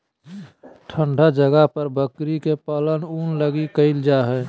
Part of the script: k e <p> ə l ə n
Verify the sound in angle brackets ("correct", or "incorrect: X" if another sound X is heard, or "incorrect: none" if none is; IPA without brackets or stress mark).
correct